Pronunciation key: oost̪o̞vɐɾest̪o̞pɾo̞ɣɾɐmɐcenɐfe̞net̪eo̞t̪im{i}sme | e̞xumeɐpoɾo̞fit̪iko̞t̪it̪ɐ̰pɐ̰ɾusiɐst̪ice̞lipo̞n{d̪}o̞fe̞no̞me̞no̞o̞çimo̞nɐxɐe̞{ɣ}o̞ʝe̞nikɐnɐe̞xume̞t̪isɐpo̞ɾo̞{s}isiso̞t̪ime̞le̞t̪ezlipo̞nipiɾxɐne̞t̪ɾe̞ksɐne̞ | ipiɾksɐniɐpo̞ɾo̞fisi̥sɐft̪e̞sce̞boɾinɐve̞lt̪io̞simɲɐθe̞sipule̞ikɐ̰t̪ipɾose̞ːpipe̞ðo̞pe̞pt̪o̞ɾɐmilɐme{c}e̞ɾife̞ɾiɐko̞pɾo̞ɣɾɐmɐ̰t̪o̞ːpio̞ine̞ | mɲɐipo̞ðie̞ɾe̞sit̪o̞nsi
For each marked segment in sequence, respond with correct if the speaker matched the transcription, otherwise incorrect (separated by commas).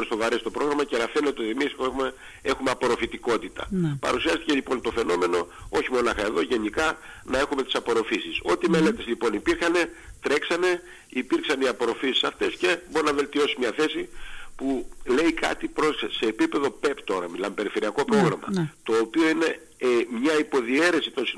correct, incorrect, incorrect, incorrect, incorrect